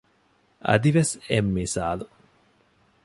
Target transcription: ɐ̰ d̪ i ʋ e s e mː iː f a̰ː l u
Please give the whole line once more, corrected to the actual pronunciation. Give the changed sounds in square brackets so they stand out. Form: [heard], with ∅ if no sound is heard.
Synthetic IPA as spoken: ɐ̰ d̪ i ʋ e s e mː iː [s] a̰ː l u